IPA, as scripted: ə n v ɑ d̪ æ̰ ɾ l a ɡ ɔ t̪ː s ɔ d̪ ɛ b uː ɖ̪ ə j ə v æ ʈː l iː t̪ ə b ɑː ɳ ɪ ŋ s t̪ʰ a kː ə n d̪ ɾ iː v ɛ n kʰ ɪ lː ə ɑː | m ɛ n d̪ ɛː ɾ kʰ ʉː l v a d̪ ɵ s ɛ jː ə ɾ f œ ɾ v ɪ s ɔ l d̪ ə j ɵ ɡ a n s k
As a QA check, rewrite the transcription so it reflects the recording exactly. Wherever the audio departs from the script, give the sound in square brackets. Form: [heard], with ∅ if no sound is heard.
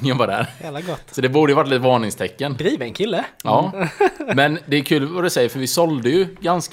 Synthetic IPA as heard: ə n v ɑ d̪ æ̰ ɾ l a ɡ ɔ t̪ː s ɔ d̪ ɛ b uː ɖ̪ ə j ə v [a] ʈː l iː t̪ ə [v] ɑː ɳ ɪ ŋ s t̪ʰ [ɛ] kː ə n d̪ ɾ iː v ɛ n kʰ ɪ lː ə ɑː | m ɛ n d̪ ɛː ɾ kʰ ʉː l v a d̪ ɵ s ɛ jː ə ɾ f œ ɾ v ɪ s ɔ l d̪ ə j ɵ ɡ a n s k